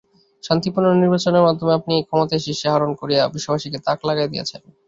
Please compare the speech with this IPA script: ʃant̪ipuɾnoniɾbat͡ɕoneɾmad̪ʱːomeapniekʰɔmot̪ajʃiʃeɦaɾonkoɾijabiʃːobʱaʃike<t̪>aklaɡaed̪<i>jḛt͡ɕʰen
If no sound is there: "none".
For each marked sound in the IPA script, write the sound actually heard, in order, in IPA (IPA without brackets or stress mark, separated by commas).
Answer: t̪, i